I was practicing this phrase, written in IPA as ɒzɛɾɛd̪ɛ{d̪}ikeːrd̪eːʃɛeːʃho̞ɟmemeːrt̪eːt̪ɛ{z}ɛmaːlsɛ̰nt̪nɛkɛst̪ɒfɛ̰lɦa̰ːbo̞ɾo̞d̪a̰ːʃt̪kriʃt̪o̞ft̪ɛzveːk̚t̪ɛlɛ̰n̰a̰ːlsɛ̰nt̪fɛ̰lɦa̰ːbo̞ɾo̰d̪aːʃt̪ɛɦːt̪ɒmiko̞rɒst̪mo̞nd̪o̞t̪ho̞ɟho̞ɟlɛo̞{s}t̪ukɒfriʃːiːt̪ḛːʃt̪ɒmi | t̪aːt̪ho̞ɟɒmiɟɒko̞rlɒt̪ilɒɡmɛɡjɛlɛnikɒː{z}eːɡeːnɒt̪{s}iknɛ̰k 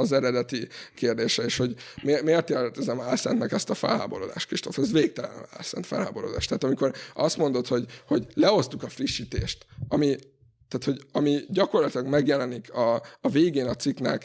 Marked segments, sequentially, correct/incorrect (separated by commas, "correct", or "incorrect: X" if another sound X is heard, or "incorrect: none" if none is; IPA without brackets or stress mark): incorrect: t̪, correct, correct, incorrect: v, correct